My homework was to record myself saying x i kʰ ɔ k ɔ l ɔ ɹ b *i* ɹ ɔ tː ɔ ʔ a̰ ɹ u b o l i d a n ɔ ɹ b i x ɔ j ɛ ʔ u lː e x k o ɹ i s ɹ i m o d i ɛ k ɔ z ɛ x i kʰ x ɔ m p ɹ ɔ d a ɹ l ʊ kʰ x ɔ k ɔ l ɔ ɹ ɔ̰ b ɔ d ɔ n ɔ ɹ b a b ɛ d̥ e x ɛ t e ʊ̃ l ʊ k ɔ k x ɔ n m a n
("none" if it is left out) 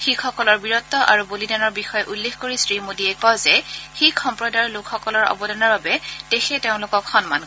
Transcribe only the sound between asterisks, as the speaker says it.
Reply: i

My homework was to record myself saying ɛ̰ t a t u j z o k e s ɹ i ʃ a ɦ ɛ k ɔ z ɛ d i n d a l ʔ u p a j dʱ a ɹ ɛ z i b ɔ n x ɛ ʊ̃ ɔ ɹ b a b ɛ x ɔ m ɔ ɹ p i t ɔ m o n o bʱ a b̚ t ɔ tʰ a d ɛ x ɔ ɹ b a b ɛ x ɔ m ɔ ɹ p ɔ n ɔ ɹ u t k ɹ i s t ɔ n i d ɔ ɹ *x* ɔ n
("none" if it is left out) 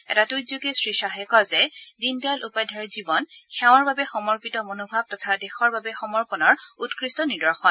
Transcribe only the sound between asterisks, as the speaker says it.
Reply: x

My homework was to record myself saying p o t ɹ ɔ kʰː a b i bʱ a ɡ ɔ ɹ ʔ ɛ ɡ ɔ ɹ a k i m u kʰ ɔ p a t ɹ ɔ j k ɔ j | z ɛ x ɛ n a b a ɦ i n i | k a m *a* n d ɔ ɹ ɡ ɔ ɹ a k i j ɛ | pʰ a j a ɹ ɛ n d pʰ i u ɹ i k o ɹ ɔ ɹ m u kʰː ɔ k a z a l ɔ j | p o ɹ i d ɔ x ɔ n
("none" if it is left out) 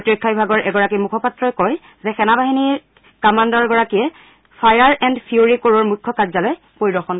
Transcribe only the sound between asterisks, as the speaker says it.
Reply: a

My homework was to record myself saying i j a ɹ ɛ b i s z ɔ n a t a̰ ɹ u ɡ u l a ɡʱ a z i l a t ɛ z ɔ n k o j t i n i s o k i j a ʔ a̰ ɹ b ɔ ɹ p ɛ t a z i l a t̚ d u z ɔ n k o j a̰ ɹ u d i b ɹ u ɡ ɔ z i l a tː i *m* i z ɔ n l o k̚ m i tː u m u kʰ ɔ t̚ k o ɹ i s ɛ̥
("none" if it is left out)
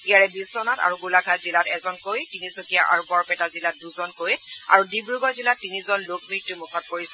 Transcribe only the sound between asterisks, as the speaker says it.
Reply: n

